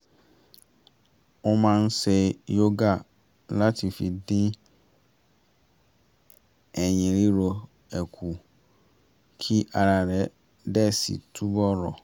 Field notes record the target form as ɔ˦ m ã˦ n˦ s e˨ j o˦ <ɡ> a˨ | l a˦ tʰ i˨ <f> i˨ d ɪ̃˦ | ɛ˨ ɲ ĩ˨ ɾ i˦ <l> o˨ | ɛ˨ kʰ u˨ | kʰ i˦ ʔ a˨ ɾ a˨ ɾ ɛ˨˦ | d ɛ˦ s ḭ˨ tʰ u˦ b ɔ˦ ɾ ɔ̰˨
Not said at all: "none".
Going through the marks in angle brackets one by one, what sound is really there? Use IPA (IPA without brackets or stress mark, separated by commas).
ɡ, f, ɾ